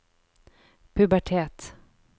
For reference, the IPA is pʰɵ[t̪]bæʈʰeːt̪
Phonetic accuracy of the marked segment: incorrect: none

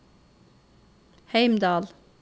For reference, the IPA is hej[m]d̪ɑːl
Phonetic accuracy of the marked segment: correct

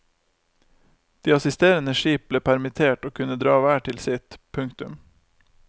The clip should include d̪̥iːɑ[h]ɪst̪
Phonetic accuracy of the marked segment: incorrect: s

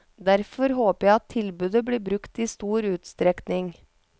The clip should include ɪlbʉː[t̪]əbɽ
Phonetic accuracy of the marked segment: incorrect: d̪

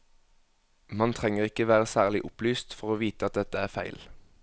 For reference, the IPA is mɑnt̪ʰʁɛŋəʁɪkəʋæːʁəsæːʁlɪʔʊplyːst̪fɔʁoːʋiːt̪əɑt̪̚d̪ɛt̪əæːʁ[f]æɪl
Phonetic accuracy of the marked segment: correct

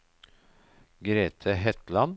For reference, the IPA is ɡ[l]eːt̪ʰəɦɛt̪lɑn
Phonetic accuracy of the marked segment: incorrect: ɾ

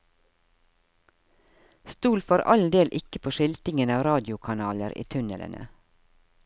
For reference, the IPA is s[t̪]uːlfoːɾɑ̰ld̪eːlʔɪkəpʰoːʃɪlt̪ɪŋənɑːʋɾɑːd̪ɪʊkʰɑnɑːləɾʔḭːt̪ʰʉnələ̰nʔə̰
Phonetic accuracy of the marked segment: correct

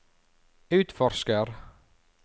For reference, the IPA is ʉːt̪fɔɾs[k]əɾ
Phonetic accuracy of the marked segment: correct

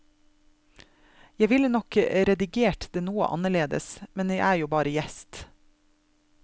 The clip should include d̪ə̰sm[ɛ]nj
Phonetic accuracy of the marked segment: correct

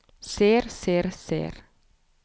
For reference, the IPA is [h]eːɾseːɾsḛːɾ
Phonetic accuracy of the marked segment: incorrect: s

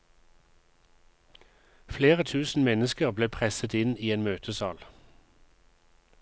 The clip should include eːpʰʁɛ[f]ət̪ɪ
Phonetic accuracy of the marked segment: incorrect: s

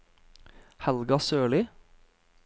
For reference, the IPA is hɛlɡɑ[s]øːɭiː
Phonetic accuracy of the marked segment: correct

